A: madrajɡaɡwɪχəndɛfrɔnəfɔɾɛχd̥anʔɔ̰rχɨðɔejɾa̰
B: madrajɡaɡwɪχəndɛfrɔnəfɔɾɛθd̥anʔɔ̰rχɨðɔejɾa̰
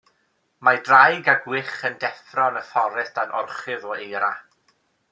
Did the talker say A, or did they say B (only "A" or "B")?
B